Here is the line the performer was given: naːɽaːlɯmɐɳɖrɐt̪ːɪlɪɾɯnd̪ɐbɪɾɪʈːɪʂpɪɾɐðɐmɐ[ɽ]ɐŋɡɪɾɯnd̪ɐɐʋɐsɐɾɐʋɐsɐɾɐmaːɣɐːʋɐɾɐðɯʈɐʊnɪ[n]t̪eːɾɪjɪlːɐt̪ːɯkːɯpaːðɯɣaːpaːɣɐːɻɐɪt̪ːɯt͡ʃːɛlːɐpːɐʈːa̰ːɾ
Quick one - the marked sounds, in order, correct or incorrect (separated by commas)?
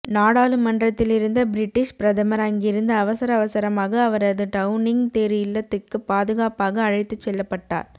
incorrect, incorrect